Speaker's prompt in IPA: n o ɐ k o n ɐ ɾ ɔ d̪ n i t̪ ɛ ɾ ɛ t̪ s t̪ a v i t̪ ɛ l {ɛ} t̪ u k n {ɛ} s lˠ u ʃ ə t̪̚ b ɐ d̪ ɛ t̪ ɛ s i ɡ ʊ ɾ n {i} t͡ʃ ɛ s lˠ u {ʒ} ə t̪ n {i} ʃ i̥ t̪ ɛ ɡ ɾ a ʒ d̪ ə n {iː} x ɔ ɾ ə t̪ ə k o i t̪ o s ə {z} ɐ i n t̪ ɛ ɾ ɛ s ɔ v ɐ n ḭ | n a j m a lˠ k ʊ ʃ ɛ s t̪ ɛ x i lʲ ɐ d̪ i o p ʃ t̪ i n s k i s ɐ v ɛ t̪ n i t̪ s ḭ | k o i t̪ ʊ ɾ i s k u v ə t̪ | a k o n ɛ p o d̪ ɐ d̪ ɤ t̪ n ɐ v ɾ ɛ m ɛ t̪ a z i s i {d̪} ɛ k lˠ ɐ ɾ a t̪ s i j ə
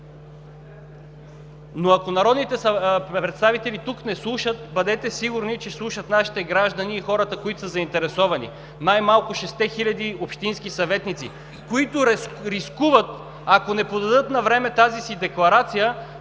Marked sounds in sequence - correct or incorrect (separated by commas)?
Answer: incorrect, correct, correct, incorrect, incorrect, correct, correct, correct